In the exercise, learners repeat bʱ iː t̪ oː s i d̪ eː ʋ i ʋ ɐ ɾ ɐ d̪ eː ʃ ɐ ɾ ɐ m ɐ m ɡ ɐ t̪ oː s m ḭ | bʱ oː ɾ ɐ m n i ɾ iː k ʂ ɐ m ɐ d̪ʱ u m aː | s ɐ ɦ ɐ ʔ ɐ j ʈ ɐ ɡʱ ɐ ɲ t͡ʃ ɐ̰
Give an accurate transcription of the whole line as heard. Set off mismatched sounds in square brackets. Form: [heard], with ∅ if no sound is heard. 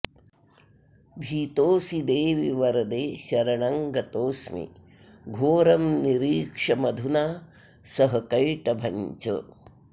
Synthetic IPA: bʱ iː t̪ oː s i d̪ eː ʋ i ʋ ɐ ɾ ɐ d̪ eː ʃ ɐ ɾ ɐ [ɳ] ɐ [ŋ] ɡ ɐ t̪ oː s m ḭ | [ɡʱ] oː ɾ ɐ m n i ɾ iː k ʂ ɐ m ɐ d̪ʱ u [n] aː | s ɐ ɦ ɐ [k] ɐ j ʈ ɐ [bʱ] ɐ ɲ t͡ʃ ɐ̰